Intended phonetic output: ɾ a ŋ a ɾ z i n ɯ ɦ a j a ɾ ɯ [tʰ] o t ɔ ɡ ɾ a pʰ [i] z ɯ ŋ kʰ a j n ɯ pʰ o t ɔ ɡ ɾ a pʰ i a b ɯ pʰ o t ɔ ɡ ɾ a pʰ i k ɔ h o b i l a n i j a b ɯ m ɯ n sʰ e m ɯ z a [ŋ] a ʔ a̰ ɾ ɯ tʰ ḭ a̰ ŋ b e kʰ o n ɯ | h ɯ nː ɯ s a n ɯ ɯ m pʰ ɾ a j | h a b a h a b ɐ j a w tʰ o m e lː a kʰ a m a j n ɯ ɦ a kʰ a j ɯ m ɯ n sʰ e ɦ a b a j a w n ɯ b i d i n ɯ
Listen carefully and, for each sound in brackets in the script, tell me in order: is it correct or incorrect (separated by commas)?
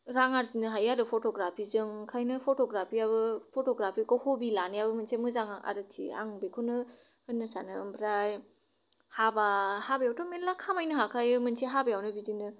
incorrect, correct, correct